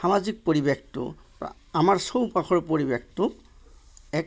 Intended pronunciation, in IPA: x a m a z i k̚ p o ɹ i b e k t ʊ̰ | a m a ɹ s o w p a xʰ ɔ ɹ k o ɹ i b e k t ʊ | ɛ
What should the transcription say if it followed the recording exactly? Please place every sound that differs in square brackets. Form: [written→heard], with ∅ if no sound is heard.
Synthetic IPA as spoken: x a m a z i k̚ p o ɹ i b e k t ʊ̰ | a m a ɹ s o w p a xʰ ɔ ɹ [k→p] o ɹ i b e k t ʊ | ɛ